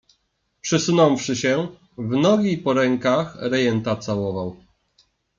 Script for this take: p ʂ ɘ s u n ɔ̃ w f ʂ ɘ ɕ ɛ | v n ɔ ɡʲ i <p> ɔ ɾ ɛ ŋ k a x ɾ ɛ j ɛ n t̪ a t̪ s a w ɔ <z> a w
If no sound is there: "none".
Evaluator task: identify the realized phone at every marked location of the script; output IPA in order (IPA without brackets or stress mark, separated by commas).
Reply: p, v